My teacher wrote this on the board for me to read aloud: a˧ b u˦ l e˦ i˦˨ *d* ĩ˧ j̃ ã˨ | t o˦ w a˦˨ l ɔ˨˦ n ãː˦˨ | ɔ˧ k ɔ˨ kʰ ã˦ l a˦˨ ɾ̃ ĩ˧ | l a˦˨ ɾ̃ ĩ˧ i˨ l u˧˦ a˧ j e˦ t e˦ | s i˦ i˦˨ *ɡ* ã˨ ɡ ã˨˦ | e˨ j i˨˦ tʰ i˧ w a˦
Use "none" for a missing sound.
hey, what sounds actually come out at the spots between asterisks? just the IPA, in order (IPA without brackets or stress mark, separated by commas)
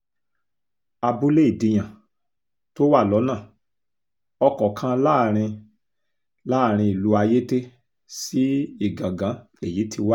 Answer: d, ɡ